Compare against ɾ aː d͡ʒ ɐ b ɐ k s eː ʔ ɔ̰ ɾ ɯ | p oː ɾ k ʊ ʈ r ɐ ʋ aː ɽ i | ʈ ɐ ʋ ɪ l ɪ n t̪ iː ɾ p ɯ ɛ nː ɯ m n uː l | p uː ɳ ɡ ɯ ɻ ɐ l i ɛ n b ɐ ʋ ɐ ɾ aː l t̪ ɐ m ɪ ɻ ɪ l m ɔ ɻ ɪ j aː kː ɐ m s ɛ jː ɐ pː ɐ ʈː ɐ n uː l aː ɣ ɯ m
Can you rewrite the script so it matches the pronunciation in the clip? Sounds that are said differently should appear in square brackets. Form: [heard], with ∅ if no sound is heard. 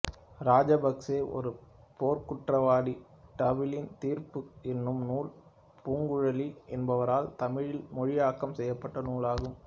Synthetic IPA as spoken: ɾ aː d͡ʒ ɐ b ɐ k s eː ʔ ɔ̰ ɾ ɯ | p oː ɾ k ʊ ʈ r ɐ ʋ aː ɽ i | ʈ ɐ ʋ ɪ l ɪ n t̪ iː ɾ p ɯ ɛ nː ɯ m n uː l | p uː [ŋ] ɡ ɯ ɻ ɐ l i ɛ n b ɐ ʋ ɐ ɾ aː l t̪ ɐ m ɪ ɻ ɪ l m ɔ ɻ ɪ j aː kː ɐ m s ɛ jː ɐ pː ɐ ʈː ɐ n uː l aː ɣ ɯ m